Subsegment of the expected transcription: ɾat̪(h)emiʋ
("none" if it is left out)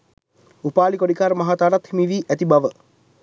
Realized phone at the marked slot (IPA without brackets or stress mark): h